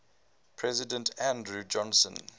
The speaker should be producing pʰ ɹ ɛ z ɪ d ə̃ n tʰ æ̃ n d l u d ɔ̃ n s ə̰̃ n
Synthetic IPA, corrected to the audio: pʰ ɹ ɛ z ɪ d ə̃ n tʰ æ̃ n d ɹ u d͡ʒ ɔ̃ n s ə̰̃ n